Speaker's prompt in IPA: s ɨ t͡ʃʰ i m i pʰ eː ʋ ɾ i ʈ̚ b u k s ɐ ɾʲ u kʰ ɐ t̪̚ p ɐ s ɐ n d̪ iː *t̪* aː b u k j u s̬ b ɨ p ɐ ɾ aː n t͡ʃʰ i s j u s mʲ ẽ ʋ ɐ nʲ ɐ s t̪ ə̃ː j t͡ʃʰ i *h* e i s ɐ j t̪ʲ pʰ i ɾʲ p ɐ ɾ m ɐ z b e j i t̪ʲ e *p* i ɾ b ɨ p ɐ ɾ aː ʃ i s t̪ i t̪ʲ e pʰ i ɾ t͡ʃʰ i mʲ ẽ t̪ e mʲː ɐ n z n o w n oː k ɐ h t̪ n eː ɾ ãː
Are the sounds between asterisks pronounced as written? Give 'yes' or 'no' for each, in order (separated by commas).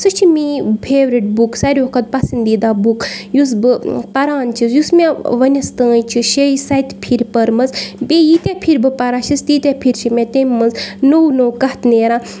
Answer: no, no, no